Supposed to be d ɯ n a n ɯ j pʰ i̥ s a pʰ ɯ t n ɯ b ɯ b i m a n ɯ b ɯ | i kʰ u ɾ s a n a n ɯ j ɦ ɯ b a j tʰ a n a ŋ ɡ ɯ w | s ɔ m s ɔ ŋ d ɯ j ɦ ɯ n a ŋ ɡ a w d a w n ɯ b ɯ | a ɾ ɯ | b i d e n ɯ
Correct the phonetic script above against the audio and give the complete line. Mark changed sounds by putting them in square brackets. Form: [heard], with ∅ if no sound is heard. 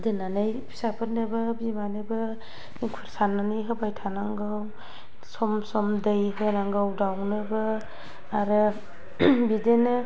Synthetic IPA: d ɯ n a n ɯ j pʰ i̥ s a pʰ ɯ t n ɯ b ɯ b i m a n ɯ b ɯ | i kʰ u ɾ s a n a n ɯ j ɦ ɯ b a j tʰ a n a ŋ ɡ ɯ w | s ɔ m s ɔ [m] d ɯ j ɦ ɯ n a ŋ ɡ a w d a w n ɯ b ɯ | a ɾ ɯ | b i d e n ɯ